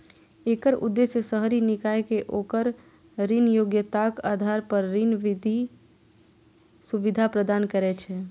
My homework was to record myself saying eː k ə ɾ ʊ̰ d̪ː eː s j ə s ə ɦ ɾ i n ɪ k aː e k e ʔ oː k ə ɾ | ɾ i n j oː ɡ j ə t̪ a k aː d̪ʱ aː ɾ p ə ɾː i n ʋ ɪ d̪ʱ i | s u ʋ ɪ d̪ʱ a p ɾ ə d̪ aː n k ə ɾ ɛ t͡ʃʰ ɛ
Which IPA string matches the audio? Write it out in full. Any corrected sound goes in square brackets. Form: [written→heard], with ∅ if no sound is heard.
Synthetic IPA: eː k ə ɾ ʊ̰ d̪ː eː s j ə s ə ɦ ɾ i n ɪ k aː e k e ʔ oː k ə ɾ | ɾ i n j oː ɡ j ə t̪ a k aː d̪ʱ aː ɾ p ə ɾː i n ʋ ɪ d̪ʱ i | s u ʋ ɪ d̪ʱ a p ɾ ə d̪ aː n k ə ɾ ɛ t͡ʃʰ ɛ